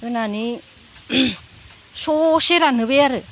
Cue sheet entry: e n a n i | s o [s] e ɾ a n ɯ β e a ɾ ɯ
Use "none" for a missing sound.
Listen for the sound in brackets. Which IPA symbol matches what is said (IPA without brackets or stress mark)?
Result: s